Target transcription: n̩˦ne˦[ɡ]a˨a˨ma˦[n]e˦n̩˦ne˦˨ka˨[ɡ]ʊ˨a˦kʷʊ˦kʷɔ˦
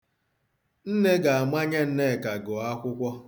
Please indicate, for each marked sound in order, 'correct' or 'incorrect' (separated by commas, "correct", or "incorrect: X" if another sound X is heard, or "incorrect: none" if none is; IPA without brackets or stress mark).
correct, incorrect: ɲ, correct